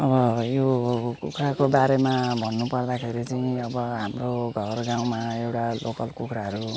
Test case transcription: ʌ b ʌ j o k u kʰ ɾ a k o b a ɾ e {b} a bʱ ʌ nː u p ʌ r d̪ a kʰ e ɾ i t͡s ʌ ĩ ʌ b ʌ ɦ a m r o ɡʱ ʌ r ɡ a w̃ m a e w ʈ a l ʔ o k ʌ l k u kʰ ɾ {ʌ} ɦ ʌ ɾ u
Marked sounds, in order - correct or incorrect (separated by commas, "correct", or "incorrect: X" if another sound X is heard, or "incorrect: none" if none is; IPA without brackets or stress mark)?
incorrect: m, incorrect: a